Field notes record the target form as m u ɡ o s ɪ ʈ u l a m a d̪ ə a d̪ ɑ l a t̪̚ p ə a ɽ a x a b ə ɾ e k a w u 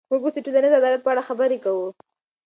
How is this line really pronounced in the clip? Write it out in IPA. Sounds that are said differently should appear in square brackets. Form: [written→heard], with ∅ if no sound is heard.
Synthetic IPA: m u ɡ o s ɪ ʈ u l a [m→n] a d̪ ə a d̪ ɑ l a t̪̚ p ə a ɽ a x a b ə ɾ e k a w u